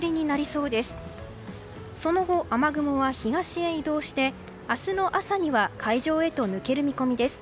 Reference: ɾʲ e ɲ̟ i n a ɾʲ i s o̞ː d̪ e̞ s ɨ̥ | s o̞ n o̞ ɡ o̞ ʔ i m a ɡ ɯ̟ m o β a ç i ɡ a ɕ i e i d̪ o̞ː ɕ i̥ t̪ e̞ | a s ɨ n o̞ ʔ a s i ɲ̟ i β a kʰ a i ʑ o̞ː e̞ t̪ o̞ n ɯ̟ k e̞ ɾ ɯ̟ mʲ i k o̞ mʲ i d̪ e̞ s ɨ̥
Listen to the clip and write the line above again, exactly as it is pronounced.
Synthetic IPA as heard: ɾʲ i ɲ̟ i n a ɾʲ i s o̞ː d̪ e̞ s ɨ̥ | s o̞ n o̞ ɡ o̞ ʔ a m a ɡ ɯ̟ m o β a ç i ɡ a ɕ i e i d̪ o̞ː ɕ i̥ t̪ e̞ | a s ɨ n o̞ ʔ a s a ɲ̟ i β a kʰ a i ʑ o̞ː e̞ t̪ o̞ n ɯ̟ k e̞ ɾ ɯ̟ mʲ i k o̞ mʲ i d̪ e̞ s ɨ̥